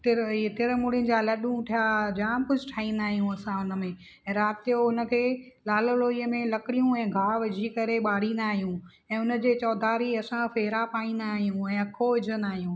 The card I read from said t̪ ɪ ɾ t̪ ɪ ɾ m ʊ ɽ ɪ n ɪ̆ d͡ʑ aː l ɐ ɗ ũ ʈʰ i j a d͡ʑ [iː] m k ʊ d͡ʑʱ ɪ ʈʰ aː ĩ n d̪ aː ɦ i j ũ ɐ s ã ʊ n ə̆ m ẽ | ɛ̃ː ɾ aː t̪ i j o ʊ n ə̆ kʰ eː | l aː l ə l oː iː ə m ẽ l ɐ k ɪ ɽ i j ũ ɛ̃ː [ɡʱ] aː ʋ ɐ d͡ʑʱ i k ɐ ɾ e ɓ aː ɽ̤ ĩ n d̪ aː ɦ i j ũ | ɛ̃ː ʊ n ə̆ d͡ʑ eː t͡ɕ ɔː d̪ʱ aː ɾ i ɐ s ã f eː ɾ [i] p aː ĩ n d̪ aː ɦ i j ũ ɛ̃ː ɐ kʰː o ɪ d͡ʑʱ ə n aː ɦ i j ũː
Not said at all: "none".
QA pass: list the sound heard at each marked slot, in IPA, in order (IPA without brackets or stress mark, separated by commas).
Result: aː, ɡʱ, a